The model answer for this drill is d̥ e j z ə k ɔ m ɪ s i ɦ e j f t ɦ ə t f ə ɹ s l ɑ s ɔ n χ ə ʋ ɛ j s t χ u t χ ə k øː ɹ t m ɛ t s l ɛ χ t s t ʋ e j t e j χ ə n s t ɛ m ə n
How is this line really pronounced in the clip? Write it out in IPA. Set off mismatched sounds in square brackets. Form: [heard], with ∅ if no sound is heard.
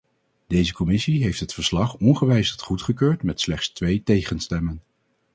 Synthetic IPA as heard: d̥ e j z ə k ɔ m ɪ s i ɦ e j f t ɦ ə t f ə ɹ s l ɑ [χ] ɔ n χ ə ʋ ɛ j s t χ u t χ ə k øː ɹ t m ɛ t s l ɛ χ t s t ʋ e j t e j χ ə n s t ɛ m ə n